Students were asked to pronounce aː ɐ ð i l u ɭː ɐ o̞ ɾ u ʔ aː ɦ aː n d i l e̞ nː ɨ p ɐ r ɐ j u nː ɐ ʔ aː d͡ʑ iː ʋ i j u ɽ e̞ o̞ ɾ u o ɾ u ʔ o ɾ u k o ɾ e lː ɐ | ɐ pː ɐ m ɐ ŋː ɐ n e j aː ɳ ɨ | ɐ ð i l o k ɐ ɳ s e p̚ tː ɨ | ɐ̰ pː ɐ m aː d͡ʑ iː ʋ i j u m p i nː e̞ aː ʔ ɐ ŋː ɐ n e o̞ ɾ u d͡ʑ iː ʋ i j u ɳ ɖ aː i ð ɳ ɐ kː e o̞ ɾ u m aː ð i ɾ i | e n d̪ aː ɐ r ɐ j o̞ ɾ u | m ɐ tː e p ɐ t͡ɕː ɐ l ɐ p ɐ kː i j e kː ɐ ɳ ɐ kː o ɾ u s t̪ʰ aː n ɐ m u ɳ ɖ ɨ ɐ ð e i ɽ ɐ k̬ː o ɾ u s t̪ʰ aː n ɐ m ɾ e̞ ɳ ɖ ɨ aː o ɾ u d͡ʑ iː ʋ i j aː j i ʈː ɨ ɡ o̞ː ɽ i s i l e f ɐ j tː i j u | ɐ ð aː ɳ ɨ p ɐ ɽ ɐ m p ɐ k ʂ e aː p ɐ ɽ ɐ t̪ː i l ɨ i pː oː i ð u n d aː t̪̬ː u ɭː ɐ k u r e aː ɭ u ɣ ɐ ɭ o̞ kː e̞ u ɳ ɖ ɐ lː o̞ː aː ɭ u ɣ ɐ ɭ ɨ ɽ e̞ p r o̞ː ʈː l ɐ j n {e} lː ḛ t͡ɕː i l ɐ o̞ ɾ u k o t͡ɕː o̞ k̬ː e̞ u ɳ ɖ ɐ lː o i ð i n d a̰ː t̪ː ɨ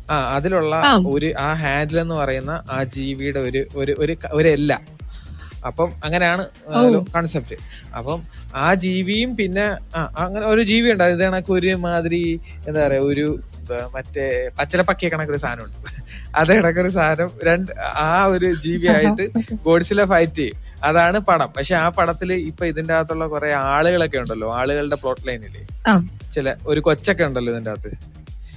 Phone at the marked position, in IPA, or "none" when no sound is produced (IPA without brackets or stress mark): i